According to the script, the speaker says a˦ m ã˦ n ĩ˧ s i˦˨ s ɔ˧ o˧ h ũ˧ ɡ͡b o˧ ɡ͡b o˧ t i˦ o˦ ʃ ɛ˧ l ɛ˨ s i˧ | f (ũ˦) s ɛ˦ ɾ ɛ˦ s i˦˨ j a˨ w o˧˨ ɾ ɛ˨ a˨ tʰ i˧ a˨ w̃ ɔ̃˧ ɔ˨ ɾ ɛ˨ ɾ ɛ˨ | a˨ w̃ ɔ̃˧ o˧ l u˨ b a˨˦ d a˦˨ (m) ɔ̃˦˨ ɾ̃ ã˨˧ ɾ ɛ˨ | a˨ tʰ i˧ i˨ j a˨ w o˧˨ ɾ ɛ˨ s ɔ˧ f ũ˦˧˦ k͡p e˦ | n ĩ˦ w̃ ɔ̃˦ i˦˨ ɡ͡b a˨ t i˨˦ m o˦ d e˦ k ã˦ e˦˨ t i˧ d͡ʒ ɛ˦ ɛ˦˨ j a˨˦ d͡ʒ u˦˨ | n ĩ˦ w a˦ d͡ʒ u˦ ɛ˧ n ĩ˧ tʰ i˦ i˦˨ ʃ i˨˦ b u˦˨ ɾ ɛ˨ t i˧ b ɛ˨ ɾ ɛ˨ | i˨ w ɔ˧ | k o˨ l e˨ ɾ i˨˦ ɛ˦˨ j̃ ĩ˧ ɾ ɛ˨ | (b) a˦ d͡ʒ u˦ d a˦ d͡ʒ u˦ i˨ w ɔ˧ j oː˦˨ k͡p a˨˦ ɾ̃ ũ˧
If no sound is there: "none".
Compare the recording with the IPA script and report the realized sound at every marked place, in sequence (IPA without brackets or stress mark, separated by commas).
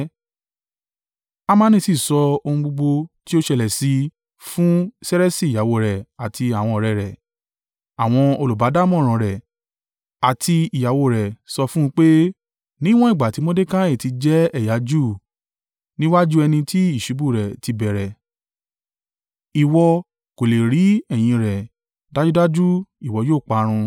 ũ˦, m, d